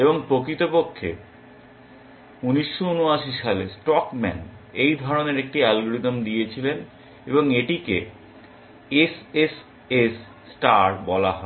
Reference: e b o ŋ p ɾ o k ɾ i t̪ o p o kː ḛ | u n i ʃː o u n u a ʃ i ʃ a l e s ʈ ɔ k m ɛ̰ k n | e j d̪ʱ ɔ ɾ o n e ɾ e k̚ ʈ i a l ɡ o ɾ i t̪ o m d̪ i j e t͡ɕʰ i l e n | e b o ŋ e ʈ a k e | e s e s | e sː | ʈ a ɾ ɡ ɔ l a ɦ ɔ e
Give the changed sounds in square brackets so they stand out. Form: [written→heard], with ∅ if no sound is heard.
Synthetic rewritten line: e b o ŋ p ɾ o k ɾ i t̪ o p o [kː→kʰː] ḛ | u n i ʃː o u n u a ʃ i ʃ a l e s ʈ ɔ k m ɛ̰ [k→∅] n | e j d̪ʱ ɔ ɾ o n e ɾ e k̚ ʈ i a l ɡ o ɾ i t̪ o m d̪ i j e t͡ɕʰ i l e n | e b o ŋ e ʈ [a→i] k e | e s e s | e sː | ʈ a ɾ [ɡ→b] ɔ l a ɦ ɔ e